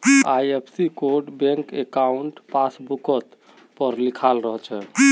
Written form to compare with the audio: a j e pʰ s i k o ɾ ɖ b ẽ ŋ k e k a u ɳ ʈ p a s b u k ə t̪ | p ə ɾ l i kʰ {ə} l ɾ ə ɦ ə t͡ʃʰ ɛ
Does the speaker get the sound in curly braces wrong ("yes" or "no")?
yes